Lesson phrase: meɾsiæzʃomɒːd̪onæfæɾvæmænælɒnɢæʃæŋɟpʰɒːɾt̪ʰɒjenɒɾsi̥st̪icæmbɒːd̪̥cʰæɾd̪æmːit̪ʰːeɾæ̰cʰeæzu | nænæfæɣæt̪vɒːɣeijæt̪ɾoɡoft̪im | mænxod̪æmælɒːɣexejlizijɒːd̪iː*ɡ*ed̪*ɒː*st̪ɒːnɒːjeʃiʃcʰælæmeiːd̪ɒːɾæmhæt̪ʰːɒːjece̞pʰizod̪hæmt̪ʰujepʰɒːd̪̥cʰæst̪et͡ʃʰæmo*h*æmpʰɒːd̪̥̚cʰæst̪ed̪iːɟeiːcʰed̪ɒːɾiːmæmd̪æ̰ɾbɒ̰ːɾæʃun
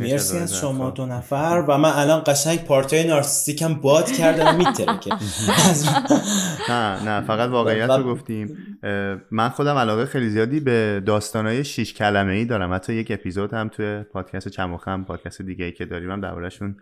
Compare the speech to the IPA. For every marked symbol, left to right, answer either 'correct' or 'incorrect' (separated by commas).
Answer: incorrect, correct, incorrect